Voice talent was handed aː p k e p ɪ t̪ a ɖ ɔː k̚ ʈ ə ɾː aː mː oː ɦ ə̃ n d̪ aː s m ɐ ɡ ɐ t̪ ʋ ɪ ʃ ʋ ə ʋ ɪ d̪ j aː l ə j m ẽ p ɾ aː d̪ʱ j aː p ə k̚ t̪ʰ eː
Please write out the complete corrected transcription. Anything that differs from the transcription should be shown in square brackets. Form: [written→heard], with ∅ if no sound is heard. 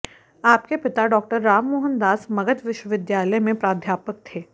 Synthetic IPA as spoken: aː p k e p ɪ t̪ a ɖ ɔː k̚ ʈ ə ɾː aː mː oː ɦ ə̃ n d̪ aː s m ɐ ɡ [ɐ→ə] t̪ ʋ ɪ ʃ [ʋ→w] ə ʋ ɪ d̪ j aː l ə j m ẽ p ɾ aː d̪ʱ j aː p ə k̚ t̪ʰ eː